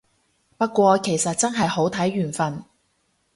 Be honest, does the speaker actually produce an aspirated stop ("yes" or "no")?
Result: yes